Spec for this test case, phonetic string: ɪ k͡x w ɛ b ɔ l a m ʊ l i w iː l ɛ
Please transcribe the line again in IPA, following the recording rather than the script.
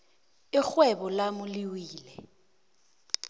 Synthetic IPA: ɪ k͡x w ɛ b ɔ l a m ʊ l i w iː l ɛ